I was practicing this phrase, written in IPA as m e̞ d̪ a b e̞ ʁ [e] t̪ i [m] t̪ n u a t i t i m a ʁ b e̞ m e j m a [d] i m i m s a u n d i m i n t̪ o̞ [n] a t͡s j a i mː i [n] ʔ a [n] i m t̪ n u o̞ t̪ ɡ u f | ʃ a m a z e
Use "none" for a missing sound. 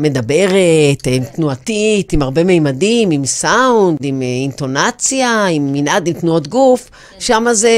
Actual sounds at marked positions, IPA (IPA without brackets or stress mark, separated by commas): e, m, d, n, n, d